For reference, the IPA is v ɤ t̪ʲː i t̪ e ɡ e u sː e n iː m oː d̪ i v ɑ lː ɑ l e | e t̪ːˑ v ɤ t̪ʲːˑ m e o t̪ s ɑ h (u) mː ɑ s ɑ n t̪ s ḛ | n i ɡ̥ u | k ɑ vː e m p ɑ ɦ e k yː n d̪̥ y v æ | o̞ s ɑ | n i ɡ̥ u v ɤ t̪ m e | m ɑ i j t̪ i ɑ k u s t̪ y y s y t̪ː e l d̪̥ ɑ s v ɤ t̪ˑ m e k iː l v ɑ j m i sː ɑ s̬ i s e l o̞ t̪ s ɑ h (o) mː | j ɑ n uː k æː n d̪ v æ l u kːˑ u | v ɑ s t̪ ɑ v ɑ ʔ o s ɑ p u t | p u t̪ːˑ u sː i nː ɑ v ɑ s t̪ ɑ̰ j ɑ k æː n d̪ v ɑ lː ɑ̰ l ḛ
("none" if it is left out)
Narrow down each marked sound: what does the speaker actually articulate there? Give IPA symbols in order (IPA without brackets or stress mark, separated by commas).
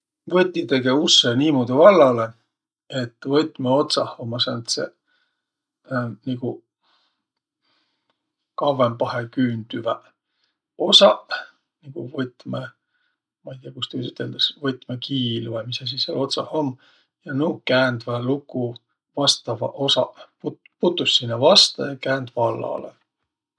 o, o